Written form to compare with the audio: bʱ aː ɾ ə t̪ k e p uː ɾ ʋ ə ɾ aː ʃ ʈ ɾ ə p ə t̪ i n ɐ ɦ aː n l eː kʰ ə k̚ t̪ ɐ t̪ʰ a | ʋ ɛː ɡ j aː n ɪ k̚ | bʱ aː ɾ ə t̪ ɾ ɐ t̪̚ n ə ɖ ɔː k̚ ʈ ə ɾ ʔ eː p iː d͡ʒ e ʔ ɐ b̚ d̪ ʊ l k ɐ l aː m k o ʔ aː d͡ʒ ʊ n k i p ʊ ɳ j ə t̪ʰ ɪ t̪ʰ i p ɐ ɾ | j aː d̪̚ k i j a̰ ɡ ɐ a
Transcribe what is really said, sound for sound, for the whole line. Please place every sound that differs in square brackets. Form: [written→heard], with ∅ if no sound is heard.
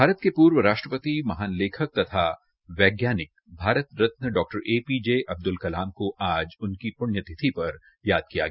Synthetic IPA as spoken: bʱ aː ɾ ə t̪ k e p uː ɾ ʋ ə ɾ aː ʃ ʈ ɾ ə p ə t̪ i [n→m] ɐ ɦ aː n l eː kʰ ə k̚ t̪ ɐ t̪ʰ a | ʋ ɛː ɡ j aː n ɪ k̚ | bʱ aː ɾ ə t̪ ɾ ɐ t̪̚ n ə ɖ ɔː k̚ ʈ ə ɾ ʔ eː p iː d͡ʒ e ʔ ɐ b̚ d̪ ʊ l k ɐ l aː m k o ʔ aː d͡ʒ ʊ n k i p ʊ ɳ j ə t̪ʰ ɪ t̪ʰ i p ɐ ɾ | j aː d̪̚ k i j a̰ ɡ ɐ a